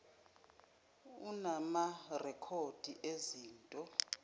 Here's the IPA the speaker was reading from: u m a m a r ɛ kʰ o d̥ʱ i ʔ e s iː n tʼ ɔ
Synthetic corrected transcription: u n a m a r ɛ kʰ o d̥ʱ i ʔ e z iː n tʼ ɔ